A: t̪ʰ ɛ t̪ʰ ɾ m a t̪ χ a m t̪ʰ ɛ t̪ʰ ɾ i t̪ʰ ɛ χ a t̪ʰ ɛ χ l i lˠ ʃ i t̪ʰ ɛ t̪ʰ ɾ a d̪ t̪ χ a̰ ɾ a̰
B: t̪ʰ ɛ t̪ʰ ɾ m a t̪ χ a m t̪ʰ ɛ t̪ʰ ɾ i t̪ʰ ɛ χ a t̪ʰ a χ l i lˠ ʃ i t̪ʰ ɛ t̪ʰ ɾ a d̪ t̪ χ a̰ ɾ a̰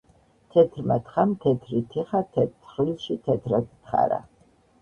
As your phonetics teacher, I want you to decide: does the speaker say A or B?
A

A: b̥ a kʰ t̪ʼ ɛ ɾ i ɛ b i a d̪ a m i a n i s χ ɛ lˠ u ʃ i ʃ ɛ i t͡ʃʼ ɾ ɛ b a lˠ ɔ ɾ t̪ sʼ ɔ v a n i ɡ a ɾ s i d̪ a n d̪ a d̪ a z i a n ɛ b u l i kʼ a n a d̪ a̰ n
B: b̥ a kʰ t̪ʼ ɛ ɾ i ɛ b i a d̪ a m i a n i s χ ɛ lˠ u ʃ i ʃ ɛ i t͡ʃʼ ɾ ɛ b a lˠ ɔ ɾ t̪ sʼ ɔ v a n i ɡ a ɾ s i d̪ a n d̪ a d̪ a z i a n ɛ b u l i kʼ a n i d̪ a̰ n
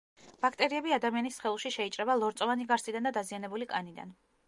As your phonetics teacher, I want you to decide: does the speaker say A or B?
B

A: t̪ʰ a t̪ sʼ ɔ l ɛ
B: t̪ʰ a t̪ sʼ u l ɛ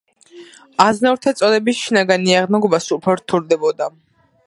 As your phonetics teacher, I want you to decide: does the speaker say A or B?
A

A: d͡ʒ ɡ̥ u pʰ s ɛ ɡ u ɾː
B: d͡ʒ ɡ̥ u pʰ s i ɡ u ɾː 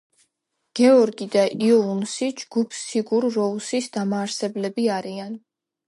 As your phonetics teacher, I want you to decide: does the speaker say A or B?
B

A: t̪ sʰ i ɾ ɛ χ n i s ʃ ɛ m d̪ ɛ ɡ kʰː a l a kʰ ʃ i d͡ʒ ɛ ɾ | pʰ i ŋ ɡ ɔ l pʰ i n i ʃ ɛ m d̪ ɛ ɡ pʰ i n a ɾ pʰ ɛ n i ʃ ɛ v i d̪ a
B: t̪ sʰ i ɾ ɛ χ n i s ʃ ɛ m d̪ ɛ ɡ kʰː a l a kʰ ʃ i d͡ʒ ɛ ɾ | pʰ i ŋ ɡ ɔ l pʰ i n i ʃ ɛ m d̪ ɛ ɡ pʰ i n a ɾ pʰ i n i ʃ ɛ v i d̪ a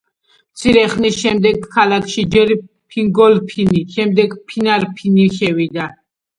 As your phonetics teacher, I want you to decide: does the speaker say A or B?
B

